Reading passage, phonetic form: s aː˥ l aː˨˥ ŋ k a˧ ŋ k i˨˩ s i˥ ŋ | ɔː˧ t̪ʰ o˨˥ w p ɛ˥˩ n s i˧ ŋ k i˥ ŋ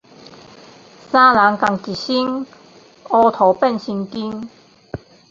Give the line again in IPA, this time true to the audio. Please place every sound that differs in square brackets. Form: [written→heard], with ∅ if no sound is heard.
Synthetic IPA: s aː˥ l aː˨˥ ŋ k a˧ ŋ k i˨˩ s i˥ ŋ | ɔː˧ t̪ʰ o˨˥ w p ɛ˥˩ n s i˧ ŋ k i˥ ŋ